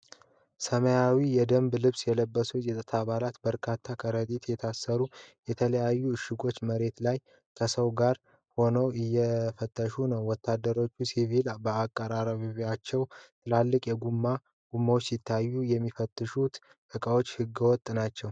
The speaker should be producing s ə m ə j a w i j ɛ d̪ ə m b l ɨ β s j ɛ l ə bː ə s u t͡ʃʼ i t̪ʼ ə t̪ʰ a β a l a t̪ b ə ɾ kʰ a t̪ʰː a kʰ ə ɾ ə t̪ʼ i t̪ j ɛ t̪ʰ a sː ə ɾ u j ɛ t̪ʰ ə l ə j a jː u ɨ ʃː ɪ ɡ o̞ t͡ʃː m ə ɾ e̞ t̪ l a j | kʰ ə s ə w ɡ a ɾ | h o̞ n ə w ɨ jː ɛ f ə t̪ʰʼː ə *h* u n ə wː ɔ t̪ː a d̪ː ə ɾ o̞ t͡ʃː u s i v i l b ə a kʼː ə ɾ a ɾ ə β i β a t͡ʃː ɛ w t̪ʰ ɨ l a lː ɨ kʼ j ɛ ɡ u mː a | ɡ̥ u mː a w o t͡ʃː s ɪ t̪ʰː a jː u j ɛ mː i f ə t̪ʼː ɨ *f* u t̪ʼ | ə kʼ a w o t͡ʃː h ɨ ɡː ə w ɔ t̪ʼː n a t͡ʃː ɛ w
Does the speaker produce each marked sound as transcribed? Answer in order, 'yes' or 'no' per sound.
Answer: no, no

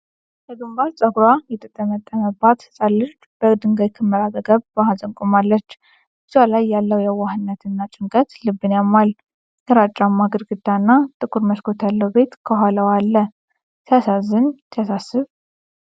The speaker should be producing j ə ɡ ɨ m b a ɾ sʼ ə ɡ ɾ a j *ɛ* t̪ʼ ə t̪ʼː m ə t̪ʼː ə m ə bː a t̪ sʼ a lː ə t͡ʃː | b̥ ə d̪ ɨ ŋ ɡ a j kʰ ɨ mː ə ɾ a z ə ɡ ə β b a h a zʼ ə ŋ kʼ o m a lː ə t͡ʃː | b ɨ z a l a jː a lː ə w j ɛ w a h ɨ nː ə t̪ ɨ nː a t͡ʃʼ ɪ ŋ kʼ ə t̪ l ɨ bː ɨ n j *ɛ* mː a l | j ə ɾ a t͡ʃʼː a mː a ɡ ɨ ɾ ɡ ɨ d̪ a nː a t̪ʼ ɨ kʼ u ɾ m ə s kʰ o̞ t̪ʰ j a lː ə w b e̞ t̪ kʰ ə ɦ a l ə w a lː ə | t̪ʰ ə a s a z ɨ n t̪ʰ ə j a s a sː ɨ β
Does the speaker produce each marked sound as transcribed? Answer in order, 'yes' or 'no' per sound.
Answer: yes, no

